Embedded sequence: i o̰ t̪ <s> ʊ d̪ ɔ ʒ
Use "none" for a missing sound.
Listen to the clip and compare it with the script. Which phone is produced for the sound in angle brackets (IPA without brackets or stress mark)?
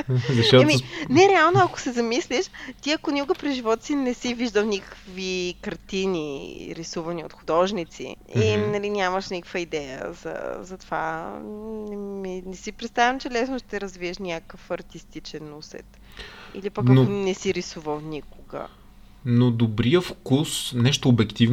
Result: x